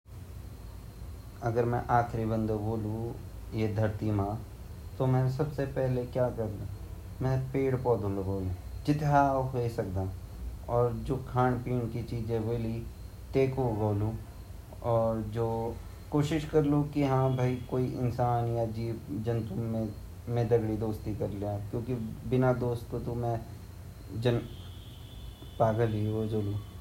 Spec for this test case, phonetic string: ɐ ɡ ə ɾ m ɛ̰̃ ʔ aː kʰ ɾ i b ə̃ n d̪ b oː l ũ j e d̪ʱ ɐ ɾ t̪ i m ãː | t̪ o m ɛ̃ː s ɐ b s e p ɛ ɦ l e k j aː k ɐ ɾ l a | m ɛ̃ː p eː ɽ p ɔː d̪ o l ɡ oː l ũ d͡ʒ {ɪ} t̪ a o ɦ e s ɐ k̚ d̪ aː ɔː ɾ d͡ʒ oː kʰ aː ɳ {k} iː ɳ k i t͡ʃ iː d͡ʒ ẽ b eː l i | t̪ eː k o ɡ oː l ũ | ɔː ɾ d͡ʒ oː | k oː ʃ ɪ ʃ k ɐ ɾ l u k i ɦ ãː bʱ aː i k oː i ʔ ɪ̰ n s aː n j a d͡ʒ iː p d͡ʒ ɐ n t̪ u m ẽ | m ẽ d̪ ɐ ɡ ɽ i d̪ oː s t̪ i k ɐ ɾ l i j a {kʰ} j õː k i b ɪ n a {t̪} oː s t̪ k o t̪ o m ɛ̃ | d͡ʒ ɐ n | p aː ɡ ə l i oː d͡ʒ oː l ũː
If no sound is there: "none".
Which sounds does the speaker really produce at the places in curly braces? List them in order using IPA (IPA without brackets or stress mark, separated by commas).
ɪ, p, k, d̪